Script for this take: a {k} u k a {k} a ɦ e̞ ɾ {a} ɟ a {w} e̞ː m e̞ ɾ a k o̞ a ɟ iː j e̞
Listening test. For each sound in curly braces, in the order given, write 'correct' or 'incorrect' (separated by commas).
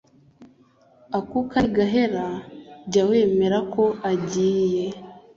correct, incorrect, correct, correct